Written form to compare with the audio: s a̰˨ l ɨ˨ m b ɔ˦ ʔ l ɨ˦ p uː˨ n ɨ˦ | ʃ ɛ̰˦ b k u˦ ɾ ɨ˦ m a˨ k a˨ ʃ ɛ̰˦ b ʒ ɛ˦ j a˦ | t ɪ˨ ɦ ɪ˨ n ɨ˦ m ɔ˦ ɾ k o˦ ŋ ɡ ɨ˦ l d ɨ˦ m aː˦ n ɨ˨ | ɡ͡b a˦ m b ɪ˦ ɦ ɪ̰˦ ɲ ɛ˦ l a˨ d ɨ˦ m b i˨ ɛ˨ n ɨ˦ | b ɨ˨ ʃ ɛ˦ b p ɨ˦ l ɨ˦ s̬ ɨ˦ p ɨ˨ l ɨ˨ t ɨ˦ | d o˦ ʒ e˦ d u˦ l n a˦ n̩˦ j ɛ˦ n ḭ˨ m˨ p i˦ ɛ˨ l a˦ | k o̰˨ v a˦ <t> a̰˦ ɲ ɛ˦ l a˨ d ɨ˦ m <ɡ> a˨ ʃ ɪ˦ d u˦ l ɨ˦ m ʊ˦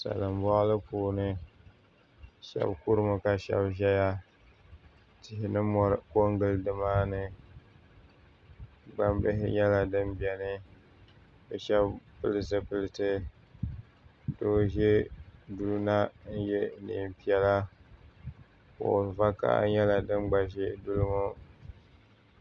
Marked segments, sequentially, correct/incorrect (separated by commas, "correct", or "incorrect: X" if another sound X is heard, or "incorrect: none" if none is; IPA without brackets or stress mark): incorrect: k, incorrect: ɡ͡b